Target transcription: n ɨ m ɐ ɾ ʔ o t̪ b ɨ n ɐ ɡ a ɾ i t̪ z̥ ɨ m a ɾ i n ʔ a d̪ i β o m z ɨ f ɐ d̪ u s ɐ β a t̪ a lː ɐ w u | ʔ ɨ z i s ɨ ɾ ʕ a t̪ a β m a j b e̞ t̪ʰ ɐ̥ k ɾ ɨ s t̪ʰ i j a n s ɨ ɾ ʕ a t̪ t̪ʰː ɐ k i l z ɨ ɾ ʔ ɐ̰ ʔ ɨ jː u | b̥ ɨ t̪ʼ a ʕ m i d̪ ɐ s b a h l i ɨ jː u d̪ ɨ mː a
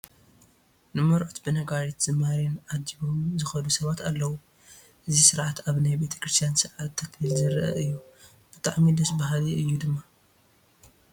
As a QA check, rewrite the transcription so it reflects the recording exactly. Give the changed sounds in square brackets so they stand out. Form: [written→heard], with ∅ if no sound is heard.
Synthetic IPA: n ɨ m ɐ ɾ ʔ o t̪ b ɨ n ɐ ɡ a ɾ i t̪ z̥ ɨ m a ɾ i n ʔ a d̪ i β o m z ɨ [f→x] ɐ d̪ u s ɐ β a t̪ a lː ɐ w u | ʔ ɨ z i s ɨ ɾ ʕ a t̪ a β [m→n] a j b e̞ t̪ʰ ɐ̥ k ɾ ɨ s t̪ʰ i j a n s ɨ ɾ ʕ a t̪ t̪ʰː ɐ k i l z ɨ ɾ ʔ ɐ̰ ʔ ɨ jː u | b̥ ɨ t̪ʼ a ʕ m i d̪ ɐ s b a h l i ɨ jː u d̪ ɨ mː a